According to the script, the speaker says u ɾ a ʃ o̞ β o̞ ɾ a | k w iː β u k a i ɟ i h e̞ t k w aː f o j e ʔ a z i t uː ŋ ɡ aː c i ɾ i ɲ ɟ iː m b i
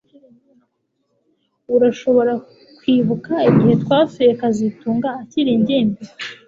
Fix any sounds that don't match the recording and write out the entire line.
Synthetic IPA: u ɾ a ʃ o̞ β o̞ ɾ a | k w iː β u k a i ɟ i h e̞ t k w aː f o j e k a z i t uː ŋ ɡ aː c i ɾ i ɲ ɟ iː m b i